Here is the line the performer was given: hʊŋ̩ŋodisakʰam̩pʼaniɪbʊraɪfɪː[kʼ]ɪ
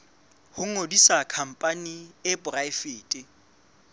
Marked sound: incorrect: tʼ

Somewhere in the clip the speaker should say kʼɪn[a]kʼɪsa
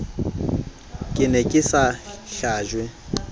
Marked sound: incorrect: ɛ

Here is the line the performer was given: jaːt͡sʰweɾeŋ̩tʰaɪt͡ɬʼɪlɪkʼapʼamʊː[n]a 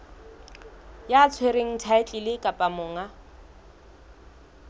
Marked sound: incorrect: ŋ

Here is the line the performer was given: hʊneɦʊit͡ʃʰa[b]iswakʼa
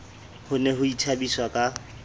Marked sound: correct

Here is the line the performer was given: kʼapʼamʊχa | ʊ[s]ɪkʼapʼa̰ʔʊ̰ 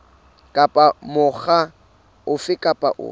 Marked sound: incorrect: f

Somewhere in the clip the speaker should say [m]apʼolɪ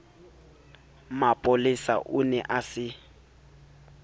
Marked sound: correct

